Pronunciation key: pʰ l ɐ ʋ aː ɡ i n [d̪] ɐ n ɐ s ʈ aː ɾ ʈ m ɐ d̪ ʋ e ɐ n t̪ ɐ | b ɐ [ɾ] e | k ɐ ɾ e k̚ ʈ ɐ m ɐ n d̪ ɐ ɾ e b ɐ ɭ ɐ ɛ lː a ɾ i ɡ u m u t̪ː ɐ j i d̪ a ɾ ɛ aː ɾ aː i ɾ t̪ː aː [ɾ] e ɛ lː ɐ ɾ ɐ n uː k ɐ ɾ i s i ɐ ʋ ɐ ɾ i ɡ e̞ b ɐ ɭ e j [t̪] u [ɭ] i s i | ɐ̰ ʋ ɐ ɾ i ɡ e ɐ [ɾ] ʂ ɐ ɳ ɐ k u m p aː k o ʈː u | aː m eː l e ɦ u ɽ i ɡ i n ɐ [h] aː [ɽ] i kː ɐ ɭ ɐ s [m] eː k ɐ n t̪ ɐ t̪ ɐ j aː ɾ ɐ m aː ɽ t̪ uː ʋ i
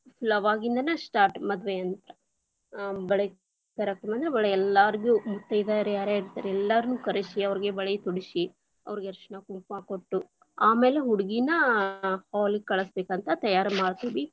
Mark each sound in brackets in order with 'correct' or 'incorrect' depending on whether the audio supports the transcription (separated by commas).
correct, incorrect, correct, correct, incorrect, correct, correct, incorrect, incorrect